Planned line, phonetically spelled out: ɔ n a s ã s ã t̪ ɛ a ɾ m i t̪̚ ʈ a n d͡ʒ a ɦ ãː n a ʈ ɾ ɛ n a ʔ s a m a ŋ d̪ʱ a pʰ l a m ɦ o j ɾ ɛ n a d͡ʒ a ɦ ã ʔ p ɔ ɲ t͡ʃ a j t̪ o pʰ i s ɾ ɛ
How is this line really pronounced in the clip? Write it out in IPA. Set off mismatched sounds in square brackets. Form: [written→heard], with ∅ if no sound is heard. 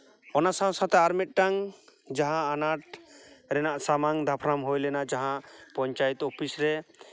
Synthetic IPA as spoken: ɔ n a s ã s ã t̪ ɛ a ɾ m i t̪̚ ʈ a [n→ŋ] d͡ʒ a ɦ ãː n a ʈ ɾ ɛ n a ʔ s a m a ŋ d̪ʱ a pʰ [l→ɾ] a m ɦ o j [ɾ→l] ɛ n a d͡ʒ a ɦ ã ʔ p ɔ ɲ t͡ʃ a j t̪ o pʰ i s ɾ ɛ